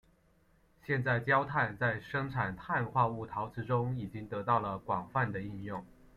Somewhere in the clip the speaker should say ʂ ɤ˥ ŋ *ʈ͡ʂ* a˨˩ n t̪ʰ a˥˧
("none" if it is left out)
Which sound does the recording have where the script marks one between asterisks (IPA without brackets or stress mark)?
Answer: ʈ͡ʂʰ